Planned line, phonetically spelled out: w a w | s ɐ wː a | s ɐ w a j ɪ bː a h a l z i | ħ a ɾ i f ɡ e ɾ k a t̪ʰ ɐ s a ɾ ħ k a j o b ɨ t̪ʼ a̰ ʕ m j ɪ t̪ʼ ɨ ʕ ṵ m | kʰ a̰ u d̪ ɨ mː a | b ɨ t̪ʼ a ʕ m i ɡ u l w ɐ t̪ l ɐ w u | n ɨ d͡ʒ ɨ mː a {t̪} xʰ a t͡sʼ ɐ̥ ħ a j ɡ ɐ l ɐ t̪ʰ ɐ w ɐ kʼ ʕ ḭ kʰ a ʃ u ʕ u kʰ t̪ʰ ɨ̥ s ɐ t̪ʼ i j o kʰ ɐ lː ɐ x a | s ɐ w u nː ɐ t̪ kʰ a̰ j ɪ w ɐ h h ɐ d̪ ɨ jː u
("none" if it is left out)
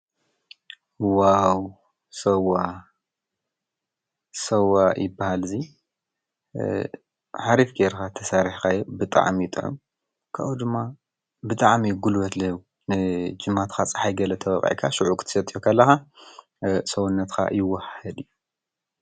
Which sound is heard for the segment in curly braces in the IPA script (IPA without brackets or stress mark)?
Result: t̪